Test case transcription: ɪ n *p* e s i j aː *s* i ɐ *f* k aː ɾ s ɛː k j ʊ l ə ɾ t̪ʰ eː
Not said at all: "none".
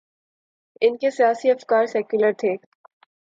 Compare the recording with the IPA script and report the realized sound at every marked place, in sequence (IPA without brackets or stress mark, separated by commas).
k, s, f